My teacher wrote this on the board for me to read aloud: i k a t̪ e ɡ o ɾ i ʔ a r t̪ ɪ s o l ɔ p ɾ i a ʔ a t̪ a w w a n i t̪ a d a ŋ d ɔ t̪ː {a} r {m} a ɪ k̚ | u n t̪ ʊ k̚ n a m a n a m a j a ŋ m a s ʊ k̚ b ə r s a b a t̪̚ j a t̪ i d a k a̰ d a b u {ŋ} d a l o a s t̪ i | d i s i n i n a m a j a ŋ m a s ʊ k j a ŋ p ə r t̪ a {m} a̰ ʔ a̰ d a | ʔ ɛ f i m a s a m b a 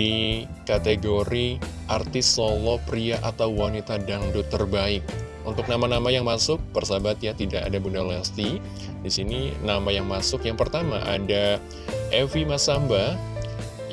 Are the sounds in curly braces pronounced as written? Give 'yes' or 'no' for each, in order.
no, no, no, yes

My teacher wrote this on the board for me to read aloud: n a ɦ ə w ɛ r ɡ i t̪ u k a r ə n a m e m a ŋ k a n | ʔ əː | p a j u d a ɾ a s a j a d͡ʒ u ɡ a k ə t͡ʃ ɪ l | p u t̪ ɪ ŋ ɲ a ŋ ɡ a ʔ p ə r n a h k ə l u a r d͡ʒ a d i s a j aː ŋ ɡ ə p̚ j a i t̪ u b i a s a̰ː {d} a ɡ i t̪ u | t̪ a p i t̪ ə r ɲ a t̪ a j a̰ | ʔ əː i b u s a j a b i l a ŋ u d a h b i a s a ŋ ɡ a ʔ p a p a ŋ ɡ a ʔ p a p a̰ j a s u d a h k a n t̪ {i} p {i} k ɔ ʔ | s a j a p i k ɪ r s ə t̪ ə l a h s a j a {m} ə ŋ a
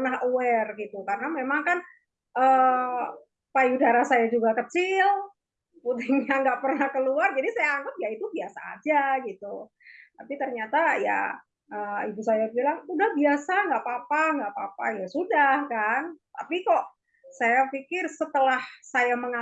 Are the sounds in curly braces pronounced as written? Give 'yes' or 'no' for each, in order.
no, no, yes, yes

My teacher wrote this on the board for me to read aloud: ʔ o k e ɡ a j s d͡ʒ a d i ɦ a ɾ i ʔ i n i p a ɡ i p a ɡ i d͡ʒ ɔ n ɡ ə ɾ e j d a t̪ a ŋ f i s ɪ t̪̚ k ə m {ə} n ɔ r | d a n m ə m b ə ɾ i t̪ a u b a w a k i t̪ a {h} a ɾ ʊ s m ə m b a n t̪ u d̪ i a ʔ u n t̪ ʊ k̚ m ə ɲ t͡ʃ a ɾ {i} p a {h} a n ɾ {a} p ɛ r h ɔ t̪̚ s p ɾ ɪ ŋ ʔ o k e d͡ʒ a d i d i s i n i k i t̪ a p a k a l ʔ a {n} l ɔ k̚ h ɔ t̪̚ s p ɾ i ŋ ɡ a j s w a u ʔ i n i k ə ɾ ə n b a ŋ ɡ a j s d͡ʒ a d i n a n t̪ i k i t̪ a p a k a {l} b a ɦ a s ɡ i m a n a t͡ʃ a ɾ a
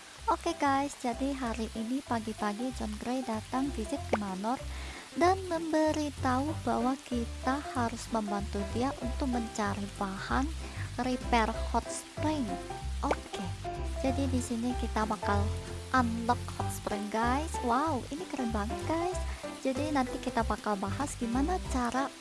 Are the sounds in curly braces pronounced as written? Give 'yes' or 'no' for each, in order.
no, yes, yes, yes, no, yes, yes

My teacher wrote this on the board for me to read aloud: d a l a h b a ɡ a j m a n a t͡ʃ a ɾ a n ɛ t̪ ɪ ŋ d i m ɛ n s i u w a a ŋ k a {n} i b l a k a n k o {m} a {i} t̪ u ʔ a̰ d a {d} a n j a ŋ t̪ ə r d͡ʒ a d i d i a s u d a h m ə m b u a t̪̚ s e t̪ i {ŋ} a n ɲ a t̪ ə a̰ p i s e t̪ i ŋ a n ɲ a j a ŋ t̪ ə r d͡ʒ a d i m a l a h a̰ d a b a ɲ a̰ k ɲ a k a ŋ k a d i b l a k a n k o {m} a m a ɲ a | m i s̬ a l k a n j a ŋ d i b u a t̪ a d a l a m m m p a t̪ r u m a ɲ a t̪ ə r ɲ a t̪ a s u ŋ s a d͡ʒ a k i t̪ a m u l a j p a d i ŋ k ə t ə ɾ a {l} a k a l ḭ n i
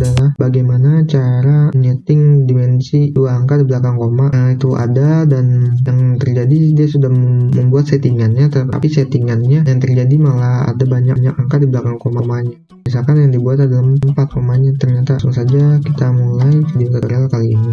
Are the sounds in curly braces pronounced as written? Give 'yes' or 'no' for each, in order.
no, yes, yes, yes, yes, yes, yes

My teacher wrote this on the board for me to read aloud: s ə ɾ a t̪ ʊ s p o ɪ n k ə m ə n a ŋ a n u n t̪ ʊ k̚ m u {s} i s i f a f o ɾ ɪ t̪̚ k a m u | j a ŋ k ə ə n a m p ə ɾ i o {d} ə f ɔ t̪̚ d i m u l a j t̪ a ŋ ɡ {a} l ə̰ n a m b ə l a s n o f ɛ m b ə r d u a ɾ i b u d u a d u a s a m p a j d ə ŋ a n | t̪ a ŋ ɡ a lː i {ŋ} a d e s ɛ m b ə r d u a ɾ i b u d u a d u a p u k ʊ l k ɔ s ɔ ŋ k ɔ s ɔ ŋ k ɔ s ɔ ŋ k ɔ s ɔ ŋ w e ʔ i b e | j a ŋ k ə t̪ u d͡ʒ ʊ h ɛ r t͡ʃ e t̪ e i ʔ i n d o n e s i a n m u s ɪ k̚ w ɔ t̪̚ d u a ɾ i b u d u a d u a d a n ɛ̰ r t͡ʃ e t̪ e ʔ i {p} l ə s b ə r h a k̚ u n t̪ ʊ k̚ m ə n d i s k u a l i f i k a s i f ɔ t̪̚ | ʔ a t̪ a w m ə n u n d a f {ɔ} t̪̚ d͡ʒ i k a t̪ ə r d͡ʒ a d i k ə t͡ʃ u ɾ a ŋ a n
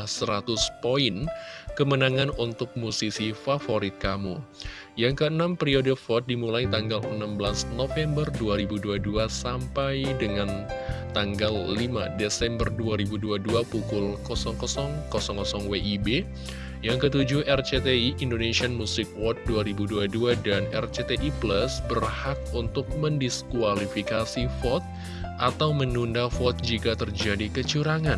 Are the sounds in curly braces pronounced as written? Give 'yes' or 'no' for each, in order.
yes, yes, yes, no, yes, yes

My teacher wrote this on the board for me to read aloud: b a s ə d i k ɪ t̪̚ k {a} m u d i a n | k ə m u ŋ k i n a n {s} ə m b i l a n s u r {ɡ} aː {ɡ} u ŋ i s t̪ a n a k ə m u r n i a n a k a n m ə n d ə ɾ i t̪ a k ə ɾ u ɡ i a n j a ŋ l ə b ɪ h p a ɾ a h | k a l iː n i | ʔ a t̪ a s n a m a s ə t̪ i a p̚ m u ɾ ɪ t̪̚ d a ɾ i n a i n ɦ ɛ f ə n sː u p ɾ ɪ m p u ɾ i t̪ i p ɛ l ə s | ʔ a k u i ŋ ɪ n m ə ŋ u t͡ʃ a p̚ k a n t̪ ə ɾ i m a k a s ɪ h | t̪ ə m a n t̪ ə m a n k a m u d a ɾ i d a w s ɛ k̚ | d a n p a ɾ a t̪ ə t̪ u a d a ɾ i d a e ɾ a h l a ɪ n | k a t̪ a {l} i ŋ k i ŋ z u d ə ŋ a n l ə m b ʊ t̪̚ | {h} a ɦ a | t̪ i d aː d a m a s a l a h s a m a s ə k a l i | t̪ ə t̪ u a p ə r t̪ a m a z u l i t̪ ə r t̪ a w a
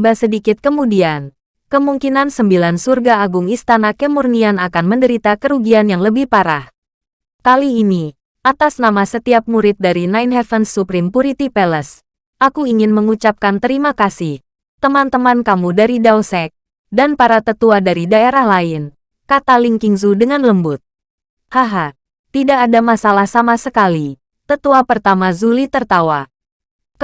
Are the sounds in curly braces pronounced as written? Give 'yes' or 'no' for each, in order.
no, yes, yes, yes, yes, yes

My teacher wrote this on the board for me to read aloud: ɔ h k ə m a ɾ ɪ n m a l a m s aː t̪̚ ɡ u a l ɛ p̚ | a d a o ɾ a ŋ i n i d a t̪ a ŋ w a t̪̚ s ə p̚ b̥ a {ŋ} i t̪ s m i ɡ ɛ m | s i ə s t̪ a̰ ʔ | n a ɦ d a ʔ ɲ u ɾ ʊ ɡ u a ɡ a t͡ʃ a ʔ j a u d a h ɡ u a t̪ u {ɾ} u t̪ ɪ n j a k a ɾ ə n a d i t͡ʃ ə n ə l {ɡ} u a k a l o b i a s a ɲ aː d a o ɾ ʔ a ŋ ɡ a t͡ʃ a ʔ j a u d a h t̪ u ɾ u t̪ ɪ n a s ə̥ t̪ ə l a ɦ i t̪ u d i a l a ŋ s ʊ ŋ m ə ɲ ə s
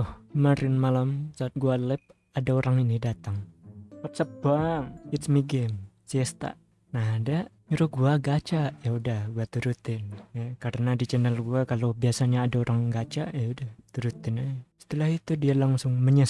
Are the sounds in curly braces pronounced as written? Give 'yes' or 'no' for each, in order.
yes, yes, yes

